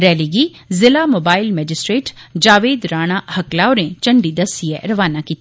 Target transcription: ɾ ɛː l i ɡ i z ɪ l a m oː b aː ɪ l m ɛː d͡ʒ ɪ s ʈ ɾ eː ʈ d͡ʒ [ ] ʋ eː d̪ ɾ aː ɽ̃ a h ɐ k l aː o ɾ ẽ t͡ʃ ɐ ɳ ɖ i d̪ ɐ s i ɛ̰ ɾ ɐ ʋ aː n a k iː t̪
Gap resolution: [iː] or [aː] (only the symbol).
aː